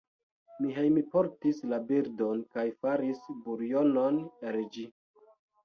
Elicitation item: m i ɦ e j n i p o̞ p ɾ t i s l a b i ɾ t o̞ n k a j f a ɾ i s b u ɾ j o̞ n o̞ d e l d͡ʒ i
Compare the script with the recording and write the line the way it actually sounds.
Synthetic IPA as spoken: m i ɦ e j m i p o̞ ɾ t i s l a b i ɾ d o̞ n k a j f a ɾ i s b u ɾ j o̞ n o̞ n e l d͡ʒ i

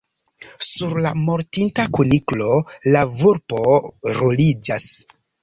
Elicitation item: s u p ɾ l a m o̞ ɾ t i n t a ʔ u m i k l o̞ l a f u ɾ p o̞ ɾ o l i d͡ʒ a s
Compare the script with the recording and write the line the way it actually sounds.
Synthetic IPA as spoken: s u ɾ l a m o̞ ɾ t i n t a k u n i k l o̞ l a v u ɾ p o̞ ɾ o l i d͡ʒ a s

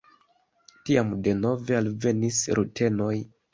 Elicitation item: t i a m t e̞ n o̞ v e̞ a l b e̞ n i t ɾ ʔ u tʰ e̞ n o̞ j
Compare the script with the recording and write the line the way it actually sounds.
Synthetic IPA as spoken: t i a m d e̞ n o̞ v e̞ a l v e̞ n i s ɾ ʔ u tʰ e̞ n o̞ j

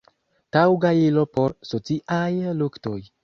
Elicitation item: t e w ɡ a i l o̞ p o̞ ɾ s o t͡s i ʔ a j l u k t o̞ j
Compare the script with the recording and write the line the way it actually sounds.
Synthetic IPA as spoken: t a w ɡ a i l o̞ p o̞ ɾ s o t͡s i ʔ a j l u k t o̞ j

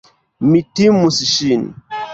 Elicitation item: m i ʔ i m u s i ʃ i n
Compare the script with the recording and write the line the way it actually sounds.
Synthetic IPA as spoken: m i t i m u s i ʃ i n

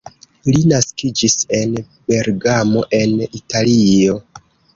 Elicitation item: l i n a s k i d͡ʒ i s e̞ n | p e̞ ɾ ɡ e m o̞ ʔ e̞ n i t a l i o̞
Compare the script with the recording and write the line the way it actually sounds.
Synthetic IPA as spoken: l i n a s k i d͡ʒ i s e̞ n | b e̞ ɾ ɡ a m o̞ ʔ e̞ n i t a l i o̞

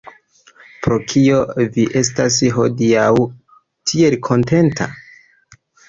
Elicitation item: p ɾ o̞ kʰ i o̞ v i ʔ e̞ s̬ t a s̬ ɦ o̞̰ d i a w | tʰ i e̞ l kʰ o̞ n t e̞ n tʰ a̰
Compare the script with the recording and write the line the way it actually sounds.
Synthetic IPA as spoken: p ɾ o̞ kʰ i o̞ v i ʔ e̞ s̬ t a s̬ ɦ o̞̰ d i a w | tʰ i e̞ l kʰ o̞ n t e̞ n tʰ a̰

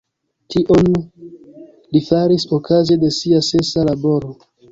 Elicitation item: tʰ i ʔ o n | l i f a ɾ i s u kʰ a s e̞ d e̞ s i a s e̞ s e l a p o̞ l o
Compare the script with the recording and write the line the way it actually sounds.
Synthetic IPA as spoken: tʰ i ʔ o n | l i f a ɾ i s o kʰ a z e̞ d e̞ s i a s e̞ s a l a b o̞ ɾ o

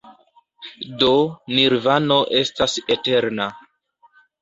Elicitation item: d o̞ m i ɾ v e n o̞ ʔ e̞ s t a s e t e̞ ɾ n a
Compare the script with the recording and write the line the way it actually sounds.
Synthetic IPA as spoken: d o̞ n i ɾ v a n o̞ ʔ e̞ s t a s e t e̞ ɾ n a

